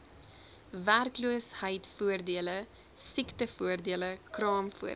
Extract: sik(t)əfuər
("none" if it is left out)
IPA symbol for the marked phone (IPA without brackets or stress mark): t